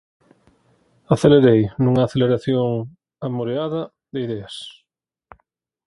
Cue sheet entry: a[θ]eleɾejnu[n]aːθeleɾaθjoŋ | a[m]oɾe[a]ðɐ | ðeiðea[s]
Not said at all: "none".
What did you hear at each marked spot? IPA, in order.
θ, ŋ, m, a, s

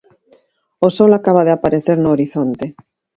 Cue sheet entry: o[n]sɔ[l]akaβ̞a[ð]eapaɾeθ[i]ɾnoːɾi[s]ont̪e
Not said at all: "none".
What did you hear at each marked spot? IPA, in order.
none, l, ð, e, θ

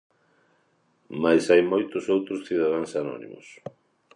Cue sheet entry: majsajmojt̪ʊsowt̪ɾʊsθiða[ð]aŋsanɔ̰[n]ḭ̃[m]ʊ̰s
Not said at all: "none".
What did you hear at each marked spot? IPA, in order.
ð, n, m

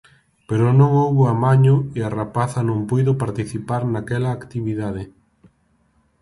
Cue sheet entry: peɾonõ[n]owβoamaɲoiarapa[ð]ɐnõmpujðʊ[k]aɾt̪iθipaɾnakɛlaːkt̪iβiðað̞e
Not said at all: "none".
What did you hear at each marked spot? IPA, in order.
ŋ, θ, p

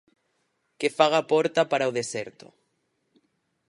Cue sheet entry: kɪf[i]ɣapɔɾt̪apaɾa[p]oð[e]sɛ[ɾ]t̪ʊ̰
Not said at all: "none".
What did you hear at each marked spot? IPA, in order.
a, none, e, ɾ

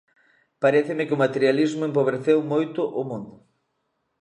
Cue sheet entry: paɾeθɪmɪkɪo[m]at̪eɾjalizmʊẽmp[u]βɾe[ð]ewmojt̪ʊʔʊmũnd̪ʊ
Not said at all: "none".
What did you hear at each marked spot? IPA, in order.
m, o, θ

